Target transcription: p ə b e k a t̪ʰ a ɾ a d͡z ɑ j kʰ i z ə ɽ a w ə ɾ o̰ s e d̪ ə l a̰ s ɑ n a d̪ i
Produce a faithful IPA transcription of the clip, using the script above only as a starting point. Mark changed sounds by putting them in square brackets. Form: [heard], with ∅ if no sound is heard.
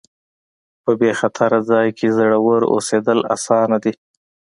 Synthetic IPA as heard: p ə b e [x] a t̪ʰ a ɾ a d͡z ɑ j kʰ [e] z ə ɽ a w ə ɾ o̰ s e d̪ ə l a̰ s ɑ n a d̪ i